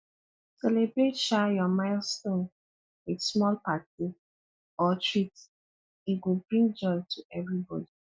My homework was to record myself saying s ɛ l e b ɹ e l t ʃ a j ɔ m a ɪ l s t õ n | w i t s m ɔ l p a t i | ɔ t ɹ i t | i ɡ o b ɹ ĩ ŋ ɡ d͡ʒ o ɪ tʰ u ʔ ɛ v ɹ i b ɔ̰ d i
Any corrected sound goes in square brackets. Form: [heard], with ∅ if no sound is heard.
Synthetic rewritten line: s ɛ l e b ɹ e [∅] t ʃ a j ɔ m a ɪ l s t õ n | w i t s m ɔ l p a t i | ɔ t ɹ i t | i ɡ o b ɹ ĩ ŋ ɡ d͡ʒ [ɔ] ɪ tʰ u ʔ ɛ v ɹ i b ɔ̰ d i